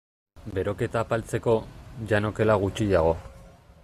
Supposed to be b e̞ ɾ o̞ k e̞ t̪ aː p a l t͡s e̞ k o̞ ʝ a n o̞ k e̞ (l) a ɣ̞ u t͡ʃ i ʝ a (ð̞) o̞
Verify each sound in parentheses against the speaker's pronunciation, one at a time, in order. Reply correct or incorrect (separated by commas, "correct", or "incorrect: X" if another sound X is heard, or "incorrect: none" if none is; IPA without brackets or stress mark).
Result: correct, incorrect: ɣ̞